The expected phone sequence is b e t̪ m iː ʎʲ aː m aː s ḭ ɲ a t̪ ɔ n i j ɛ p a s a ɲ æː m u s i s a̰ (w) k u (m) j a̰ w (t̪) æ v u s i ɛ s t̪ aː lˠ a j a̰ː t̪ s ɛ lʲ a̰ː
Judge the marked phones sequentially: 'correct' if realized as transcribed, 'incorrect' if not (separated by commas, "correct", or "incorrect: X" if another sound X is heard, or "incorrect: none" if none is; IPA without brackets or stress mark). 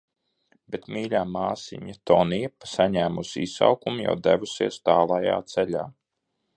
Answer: correct, correct, incorrect: d̪